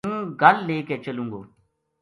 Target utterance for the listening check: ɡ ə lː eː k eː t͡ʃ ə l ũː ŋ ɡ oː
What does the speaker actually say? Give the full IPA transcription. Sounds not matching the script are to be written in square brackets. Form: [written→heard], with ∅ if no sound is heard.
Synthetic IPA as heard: ɡ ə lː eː k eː t͡ʃ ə l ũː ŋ ɡ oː